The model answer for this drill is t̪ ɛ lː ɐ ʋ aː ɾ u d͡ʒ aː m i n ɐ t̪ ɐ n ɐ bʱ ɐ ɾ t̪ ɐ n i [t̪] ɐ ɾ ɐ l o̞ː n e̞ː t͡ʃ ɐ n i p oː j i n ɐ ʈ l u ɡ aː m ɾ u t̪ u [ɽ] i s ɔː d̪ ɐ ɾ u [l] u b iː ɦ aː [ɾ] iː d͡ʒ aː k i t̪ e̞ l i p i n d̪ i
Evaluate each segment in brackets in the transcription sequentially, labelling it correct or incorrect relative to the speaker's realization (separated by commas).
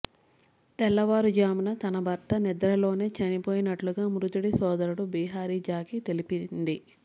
incorrect, correct, incorrect, correct